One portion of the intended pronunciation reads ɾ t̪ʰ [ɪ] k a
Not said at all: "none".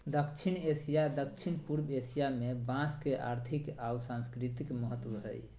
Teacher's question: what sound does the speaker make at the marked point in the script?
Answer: i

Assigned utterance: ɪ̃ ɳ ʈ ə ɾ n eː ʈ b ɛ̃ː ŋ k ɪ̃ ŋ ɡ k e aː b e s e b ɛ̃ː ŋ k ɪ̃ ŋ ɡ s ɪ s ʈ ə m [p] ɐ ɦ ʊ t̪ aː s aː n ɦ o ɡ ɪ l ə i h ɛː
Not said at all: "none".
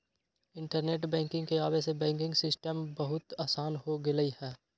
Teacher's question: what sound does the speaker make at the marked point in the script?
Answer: b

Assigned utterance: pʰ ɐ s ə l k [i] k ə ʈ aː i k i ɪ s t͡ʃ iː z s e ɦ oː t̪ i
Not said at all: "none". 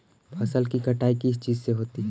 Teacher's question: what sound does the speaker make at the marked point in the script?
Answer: i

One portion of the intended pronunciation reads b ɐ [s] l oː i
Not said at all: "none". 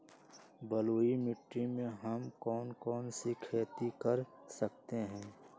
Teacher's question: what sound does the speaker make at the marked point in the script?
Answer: none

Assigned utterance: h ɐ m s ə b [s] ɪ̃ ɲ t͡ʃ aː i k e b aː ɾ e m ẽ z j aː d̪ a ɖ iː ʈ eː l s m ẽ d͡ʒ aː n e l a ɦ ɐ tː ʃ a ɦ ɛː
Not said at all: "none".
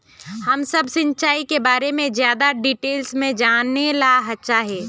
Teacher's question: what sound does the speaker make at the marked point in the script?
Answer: s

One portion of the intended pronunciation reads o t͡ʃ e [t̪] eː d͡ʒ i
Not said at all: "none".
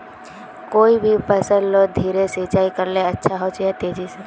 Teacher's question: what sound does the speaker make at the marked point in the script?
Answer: t̪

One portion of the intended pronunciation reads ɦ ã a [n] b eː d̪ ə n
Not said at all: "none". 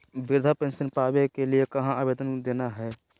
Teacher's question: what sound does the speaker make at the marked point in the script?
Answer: none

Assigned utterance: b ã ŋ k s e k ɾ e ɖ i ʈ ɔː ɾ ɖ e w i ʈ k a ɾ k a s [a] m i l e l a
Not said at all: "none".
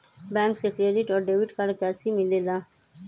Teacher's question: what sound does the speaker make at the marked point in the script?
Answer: i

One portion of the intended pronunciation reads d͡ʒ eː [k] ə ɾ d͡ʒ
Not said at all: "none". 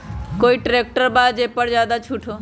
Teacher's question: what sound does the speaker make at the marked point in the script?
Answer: p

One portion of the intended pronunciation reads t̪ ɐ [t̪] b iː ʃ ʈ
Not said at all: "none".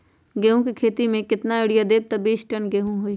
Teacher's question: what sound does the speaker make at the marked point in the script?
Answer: none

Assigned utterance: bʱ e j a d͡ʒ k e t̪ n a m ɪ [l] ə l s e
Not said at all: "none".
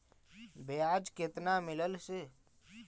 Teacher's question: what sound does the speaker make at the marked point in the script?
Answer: l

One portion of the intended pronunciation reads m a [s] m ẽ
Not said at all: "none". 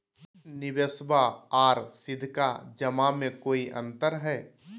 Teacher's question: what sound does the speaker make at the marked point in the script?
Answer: none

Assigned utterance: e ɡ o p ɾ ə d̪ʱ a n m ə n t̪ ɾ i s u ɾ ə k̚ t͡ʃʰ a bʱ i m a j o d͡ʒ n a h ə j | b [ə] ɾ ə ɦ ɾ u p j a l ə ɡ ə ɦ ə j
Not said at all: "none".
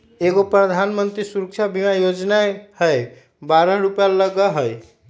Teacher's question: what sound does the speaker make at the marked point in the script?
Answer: a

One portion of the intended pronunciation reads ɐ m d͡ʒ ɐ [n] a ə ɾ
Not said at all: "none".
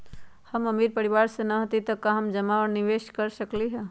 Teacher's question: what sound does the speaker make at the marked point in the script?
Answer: m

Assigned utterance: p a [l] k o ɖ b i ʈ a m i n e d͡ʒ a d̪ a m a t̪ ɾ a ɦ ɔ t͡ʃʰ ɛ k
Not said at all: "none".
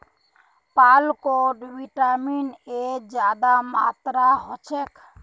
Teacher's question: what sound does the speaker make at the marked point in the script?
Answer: l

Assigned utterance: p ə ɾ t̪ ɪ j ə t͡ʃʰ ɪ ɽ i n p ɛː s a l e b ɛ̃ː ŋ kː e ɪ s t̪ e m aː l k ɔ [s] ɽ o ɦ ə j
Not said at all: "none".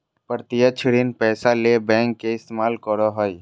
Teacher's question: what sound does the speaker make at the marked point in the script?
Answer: none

